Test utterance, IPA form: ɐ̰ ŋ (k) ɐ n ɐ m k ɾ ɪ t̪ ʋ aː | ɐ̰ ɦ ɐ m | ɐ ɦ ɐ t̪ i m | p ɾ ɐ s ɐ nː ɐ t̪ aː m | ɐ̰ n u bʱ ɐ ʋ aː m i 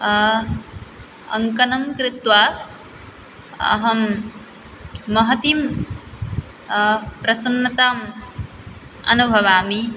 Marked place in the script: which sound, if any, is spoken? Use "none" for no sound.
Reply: k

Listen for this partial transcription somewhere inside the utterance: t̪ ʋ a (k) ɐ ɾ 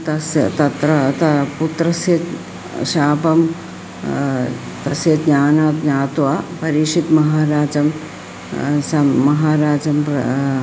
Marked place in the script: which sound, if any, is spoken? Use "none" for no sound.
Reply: p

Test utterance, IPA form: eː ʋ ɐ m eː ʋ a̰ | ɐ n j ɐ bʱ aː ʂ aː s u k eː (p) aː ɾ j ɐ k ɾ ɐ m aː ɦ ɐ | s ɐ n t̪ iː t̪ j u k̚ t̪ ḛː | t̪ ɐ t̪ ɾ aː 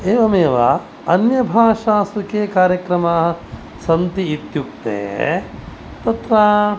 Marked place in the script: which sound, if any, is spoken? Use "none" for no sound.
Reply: k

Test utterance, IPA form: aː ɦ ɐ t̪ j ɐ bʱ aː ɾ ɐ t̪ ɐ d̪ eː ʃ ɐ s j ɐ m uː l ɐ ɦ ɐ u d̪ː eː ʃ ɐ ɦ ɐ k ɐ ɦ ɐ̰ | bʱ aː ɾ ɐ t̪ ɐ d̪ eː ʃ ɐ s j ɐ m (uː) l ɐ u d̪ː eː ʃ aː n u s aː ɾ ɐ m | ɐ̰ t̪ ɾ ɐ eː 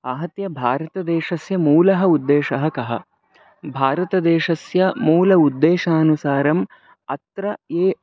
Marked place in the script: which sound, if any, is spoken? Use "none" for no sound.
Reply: uː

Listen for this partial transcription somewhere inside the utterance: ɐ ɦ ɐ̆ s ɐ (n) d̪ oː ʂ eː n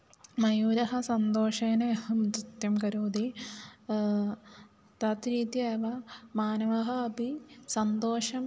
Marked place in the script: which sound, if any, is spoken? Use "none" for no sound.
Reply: n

